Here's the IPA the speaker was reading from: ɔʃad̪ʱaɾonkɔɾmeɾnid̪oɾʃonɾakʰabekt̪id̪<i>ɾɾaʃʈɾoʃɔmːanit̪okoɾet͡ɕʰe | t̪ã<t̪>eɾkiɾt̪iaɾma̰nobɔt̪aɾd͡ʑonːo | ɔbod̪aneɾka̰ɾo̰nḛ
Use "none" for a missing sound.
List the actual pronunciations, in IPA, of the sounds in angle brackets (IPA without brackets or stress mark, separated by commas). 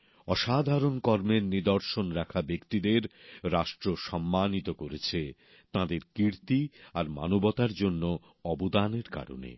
e, d̪